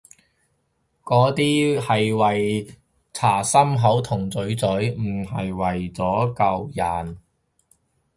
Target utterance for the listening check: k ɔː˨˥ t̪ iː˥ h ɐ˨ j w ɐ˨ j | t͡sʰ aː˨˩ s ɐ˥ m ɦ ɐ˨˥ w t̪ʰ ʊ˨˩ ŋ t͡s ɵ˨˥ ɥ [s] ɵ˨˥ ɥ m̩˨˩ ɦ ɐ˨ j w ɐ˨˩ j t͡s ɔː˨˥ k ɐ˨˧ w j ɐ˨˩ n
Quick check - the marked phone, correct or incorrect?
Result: incorrect: t͡s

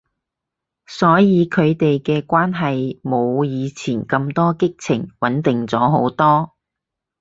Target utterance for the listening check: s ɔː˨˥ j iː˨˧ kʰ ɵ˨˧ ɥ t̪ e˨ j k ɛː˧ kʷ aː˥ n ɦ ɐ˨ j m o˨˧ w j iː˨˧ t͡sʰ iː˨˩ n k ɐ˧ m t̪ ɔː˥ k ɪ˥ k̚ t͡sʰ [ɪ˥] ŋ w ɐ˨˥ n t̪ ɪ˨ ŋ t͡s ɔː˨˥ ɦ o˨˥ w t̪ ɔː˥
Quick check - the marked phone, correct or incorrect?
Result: incorrect: ɪ˨˩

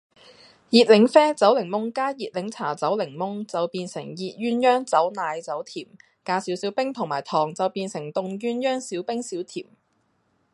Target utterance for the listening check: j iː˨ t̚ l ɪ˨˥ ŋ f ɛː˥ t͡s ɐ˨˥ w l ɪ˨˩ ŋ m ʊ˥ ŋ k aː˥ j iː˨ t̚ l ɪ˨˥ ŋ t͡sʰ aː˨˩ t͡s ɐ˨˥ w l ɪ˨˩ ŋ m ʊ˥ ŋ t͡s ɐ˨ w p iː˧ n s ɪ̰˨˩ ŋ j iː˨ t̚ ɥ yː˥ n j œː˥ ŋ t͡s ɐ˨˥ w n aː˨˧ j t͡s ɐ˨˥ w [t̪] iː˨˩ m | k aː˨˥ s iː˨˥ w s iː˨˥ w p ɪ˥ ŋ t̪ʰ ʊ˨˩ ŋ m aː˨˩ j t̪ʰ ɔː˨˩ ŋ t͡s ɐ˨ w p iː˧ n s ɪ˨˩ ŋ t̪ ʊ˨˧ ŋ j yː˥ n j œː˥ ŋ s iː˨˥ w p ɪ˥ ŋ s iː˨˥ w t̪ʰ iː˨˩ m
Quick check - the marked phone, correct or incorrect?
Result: incorrect: t̪ʰ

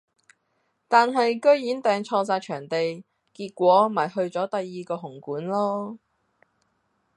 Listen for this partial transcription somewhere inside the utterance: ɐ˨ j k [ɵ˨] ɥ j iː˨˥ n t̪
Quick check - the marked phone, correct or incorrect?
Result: incorrect: ɵ˥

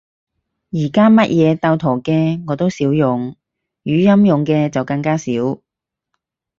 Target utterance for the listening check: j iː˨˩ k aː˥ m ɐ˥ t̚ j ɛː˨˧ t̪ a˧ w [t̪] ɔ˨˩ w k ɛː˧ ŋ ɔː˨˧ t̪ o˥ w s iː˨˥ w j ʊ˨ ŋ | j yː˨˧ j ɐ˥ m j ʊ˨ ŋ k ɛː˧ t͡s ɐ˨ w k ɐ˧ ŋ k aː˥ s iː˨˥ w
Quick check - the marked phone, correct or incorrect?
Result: incorrect: t̪ʰ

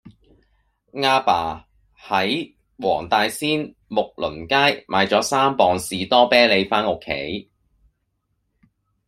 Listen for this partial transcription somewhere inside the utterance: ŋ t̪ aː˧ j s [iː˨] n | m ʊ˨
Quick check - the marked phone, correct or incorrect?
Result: incorrect: iː˥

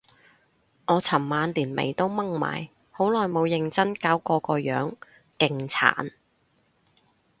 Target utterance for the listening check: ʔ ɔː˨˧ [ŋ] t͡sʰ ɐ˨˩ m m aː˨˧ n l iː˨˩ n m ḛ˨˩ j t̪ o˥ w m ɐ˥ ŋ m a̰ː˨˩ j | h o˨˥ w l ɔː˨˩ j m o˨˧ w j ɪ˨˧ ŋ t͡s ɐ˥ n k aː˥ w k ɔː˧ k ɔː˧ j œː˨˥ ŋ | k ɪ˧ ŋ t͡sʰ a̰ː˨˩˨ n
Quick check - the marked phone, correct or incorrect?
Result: incorrect: none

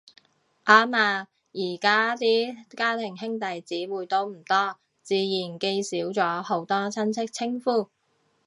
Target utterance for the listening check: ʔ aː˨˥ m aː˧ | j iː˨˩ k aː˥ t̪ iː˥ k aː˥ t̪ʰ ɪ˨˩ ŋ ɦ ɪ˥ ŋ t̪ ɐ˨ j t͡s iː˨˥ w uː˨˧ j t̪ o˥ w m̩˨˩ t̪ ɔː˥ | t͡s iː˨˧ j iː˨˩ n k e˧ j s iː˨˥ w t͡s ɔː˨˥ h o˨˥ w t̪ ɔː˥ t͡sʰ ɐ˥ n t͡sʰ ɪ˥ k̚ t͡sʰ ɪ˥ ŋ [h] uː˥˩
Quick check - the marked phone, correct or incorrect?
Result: incorrect: f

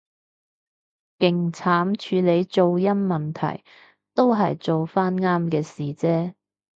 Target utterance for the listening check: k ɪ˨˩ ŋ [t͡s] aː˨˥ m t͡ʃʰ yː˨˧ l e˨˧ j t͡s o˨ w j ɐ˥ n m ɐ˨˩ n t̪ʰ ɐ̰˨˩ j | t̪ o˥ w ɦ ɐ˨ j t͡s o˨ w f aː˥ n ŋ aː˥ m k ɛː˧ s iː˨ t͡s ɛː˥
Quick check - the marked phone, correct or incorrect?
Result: incorrect: t͡sʰ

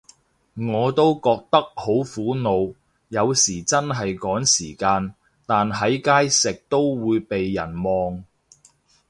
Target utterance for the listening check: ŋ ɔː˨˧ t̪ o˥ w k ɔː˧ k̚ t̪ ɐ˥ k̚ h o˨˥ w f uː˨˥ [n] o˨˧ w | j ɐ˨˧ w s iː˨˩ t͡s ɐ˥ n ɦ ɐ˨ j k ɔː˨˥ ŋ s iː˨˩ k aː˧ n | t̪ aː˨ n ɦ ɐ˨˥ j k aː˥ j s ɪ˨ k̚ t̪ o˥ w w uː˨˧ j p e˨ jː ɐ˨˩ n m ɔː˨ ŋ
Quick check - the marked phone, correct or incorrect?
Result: correct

